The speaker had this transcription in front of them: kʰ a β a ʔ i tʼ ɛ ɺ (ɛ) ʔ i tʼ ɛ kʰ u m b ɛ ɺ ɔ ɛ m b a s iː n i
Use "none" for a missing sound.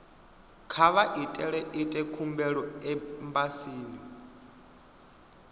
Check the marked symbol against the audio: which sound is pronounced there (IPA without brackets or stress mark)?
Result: ɛ